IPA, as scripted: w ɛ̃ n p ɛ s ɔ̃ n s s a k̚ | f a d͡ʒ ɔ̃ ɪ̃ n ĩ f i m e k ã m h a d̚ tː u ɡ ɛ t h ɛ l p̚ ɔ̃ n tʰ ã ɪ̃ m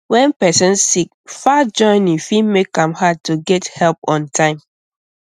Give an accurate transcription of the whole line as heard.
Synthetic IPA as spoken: w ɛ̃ n p ɛ s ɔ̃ n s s i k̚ | f a d͡ʒ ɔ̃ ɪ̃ n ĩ f i m e k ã m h a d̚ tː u ɡ ɛ t h ɛ l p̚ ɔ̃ n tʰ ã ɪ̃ m